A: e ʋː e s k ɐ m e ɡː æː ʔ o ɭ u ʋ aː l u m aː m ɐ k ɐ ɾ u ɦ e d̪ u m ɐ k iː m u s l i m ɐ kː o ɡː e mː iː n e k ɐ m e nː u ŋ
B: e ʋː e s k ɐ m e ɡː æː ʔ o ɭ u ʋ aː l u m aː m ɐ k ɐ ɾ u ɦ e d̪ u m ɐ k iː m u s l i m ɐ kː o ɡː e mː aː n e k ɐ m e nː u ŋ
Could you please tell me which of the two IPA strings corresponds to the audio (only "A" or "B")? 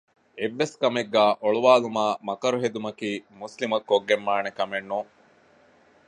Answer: B